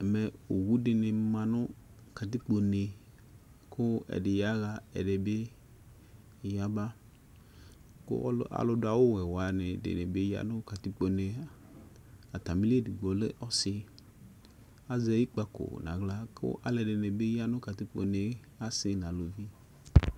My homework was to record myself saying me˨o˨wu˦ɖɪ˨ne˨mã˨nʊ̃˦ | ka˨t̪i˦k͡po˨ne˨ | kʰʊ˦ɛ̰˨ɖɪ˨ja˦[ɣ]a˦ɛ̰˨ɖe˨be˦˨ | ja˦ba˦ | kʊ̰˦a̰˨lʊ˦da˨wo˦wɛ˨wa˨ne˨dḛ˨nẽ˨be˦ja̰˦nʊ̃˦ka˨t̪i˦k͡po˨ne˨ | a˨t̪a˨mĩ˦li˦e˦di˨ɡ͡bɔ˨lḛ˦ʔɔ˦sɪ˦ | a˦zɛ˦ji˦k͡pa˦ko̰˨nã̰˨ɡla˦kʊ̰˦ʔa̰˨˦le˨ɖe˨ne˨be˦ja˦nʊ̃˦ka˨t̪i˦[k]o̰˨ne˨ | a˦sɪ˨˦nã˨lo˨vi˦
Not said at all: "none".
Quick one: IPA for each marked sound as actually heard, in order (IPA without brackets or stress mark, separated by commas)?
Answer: ɣ, k͡p